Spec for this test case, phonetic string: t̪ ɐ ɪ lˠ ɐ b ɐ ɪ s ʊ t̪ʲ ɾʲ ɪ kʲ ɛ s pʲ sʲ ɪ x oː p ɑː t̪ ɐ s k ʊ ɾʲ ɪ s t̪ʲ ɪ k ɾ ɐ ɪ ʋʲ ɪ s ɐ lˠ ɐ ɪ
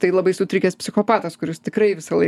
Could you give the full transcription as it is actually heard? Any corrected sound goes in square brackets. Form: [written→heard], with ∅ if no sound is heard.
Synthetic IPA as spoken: t̪ ɐ ɪ lˠ ɐ b ɐ ɪ s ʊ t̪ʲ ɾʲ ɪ kʲ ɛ s pʲ sʲ ɪ x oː p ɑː t̪ ɐ s k ʊ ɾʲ ɪ s t̪ʲ ɪ k ɾ ɐ ɪ ʋʲ ɪ s ɐ lˠ ɐ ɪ